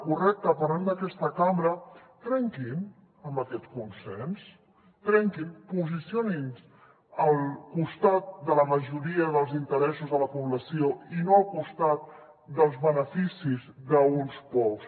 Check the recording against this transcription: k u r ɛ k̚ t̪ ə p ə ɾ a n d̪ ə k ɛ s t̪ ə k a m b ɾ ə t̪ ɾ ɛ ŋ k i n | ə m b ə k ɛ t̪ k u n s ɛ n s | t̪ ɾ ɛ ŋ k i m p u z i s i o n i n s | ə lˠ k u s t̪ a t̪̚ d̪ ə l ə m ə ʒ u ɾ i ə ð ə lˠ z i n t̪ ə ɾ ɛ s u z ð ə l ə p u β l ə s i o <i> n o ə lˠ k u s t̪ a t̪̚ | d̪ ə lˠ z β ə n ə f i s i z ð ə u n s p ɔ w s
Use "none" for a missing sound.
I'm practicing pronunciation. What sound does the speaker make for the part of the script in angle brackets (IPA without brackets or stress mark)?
i